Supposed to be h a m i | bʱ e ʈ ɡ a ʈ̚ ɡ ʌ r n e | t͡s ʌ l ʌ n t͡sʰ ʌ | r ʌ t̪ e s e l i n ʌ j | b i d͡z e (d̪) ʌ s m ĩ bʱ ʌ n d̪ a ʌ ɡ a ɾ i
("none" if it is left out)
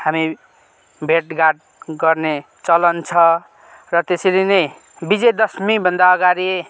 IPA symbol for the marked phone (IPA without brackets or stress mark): d̪